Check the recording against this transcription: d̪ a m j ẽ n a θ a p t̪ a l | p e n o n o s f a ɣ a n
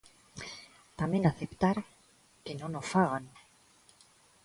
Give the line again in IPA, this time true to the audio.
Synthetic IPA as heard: t̪ a m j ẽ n a θ e p t̪ a ɾ | k e n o n o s f a ɣ a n